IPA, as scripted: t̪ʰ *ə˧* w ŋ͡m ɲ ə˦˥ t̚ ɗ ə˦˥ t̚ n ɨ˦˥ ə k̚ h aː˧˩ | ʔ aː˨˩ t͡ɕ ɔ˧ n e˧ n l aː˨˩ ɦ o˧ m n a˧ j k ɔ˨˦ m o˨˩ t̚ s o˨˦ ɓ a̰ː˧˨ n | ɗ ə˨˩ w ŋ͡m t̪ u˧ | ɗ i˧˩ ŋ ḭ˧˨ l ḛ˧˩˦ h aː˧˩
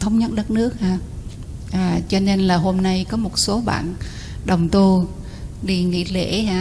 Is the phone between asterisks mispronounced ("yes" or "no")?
no